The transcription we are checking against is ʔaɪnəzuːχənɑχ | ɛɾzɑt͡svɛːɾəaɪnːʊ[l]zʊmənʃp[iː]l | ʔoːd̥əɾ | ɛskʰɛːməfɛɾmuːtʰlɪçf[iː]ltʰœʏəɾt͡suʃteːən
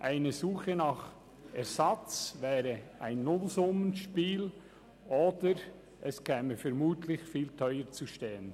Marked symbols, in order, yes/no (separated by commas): yes, yes, yes